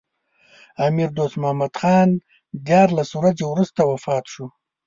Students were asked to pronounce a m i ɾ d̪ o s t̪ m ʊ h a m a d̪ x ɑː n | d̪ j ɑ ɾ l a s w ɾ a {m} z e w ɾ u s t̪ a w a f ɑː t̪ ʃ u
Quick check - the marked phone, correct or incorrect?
incorrect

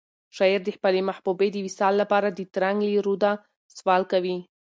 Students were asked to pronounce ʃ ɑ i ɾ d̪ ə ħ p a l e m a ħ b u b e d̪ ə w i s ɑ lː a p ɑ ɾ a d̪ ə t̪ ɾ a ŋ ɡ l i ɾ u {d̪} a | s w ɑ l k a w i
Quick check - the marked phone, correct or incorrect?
correct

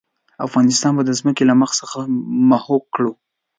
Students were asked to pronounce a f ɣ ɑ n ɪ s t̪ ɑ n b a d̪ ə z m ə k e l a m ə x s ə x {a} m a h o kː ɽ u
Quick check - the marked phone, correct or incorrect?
correct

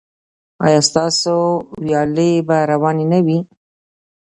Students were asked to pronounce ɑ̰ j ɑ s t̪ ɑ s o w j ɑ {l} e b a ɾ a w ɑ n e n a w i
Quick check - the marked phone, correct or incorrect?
correct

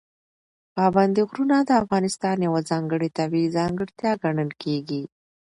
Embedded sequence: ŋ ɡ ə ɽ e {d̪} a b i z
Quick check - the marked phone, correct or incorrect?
incorrect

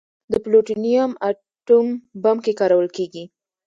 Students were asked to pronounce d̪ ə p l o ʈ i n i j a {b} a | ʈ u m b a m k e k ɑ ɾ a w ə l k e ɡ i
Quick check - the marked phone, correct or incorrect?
incorrect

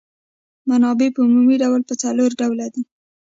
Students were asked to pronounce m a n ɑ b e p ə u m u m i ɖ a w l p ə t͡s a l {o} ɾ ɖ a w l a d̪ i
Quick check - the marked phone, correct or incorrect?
correct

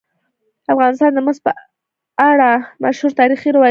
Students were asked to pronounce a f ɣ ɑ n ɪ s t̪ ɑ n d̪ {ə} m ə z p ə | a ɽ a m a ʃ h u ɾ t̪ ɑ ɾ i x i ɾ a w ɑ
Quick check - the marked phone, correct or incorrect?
correct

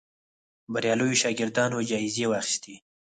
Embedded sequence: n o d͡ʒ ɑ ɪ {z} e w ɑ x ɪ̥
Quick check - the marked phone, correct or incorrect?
correct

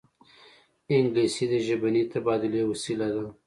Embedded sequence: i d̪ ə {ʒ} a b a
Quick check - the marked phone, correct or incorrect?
correct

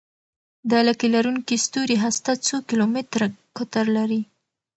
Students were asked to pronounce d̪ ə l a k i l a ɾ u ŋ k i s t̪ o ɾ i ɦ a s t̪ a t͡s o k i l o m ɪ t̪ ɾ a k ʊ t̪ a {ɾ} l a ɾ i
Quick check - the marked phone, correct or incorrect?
correct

